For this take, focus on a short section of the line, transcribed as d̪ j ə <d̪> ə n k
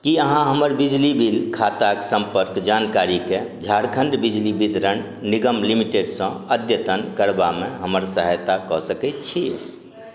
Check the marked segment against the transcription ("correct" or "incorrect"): incorrect